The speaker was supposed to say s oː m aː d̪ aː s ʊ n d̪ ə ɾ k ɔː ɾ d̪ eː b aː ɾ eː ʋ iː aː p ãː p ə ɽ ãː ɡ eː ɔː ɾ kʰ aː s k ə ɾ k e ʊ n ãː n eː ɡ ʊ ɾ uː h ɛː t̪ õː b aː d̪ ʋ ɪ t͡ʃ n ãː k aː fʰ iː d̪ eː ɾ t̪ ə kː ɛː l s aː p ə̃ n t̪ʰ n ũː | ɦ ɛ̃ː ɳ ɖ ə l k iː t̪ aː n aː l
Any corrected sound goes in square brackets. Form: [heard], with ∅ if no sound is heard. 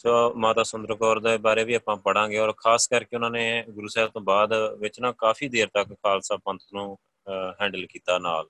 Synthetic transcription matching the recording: s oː m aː [t̪] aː s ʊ n d̪ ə ɾ k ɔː ɾ d̪ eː b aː ɾ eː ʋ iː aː p ãː p ə ɽ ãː ɡ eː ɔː ɾ kʰ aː s k ə ɾ k e ʊ n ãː n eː ɡ ʊ ɾ uː [s] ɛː t̪ õː b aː d̪ ʋ ɪ t͡ʃ n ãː k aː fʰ iː d̪ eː ɾ t̪ ə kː [aː] l s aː p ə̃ n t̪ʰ n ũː | ɦ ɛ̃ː ɳ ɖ ə l k iː t̪ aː n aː l